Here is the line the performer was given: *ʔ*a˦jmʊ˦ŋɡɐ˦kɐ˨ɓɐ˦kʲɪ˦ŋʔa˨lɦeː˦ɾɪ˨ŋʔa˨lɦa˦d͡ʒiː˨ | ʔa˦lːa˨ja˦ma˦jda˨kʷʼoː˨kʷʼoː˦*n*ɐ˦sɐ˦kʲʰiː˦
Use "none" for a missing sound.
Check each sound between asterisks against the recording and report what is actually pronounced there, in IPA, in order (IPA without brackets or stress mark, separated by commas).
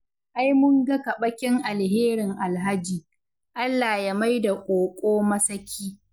ʔ, m